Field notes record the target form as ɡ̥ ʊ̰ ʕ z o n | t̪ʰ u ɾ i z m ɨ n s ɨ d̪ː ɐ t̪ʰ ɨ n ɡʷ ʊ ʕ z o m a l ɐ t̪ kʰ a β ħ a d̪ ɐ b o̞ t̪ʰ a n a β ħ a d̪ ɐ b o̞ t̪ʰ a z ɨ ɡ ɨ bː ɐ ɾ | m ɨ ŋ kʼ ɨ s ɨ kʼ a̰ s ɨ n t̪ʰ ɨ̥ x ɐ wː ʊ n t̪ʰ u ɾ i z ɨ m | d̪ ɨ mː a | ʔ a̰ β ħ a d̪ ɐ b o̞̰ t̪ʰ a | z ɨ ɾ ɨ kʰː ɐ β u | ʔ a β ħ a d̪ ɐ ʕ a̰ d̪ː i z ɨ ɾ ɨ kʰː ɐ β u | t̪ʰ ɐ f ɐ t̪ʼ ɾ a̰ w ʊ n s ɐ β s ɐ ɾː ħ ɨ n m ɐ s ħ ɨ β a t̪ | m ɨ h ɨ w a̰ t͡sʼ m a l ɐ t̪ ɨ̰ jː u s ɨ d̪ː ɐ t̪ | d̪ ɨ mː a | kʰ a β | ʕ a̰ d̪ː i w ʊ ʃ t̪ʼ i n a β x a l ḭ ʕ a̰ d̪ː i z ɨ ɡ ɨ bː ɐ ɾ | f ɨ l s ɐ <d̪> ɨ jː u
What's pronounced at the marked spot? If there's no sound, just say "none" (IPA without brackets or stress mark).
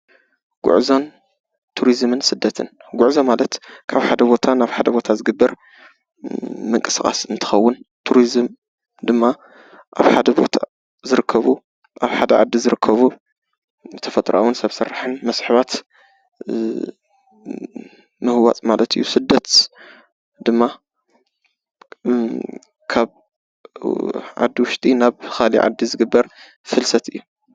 t̪